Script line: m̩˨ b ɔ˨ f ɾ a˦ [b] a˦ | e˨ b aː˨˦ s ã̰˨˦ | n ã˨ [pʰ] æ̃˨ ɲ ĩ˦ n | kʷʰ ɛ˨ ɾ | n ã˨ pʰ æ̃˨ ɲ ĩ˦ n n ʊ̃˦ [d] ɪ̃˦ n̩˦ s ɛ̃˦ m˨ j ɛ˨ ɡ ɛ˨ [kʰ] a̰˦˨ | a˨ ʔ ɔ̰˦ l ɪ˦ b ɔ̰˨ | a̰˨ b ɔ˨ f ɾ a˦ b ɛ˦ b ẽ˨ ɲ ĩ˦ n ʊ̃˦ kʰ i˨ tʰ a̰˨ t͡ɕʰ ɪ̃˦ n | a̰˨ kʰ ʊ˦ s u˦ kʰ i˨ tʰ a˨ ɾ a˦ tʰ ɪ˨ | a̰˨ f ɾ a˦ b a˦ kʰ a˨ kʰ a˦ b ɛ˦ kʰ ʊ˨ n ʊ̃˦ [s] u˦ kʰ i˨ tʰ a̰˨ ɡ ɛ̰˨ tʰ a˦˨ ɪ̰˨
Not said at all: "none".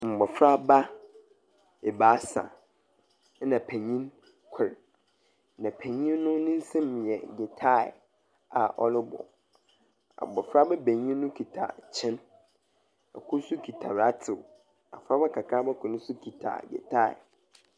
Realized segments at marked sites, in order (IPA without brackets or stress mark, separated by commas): b, pʰ, n, tʰ, s